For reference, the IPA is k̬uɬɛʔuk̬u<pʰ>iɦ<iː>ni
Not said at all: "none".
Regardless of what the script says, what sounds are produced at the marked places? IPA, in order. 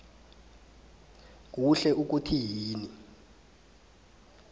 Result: tʰ, iː

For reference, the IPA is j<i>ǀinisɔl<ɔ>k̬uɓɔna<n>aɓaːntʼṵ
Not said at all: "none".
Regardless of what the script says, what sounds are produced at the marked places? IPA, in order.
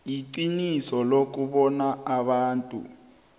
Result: i, o, none

